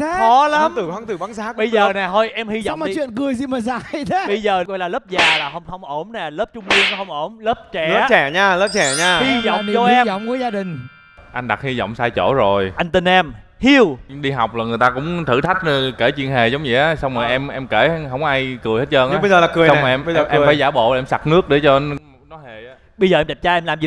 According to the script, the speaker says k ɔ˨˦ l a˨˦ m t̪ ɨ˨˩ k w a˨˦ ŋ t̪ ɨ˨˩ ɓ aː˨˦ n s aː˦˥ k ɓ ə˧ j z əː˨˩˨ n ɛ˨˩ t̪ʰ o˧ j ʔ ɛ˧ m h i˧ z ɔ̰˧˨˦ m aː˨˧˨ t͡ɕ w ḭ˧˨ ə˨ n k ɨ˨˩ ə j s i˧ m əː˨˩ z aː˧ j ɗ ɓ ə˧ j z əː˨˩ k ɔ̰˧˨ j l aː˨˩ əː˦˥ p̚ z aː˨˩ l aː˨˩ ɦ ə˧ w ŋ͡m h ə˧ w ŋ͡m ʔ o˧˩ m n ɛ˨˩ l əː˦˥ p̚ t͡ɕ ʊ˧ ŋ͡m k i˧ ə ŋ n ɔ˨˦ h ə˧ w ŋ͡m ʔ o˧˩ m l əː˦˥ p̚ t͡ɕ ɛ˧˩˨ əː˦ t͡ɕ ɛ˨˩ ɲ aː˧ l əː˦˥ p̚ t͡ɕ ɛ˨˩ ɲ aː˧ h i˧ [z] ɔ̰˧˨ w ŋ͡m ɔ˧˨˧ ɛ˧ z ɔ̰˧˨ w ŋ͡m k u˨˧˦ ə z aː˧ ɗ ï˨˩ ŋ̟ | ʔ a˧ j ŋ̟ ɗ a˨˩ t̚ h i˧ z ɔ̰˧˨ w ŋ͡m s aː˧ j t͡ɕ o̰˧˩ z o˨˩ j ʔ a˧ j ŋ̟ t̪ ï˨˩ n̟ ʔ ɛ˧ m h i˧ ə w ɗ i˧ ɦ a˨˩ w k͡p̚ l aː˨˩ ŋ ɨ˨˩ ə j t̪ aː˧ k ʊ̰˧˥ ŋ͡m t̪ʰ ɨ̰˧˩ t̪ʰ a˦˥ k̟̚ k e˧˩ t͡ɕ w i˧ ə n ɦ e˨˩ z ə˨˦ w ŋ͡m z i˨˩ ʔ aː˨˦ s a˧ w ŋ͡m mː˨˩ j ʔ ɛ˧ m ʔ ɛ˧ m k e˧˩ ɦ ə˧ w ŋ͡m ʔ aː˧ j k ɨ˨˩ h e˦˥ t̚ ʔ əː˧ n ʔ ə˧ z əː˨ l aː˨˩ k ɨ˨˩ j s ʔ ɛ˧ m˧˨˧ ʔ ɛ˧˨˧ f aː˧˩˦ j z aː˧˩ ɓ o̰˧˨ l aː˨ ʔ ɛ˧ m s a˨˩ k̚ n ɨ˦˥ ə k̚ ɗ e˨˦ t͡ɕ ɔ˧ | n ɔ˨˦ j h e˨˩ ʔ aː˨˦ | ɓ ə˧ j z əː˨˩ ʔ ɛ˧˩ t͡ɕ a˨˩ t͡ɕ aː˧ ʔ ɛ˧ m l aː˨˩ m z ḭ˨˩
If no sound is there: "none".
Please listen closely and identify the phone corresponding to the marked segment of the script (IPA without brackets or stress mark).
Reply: z